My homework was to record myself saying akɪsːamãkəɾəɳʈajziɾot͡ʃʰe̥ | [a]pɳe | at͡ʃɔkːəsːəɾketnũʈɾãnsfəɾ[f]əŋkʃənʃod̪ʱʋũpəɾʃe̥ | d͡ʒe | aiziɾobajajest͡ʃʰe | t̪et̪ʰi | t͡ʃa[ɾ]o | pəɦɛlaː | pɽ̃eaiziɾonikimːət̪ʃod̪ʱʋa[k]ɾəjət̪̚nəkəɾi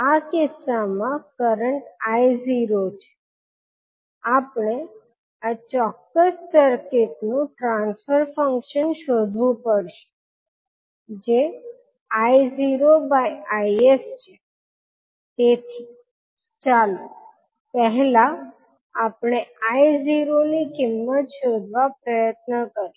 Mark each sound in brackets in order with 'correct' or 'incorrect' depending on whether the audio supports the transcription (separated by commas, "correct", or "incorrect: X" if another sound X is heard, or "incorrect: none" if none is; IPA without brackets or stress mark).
correct, correct, incorrect: l, incorrect: p